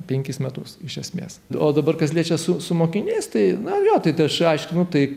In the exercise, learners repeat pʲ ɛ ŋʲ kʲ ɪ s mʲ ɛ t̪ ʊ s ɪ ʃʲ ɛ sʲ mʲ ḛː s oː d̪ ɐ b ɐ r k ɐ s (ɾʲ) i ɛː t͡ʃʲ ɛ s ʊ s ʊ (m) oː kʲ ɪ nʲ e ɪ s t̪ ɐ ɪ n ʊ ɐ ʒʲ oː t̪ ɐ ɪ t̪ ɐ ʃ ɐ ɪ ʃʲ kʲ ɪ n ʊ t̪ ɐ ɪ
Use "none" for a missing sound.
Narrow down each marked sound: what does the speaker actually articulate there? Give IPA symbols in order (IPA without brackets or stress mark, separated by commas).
lʲ, m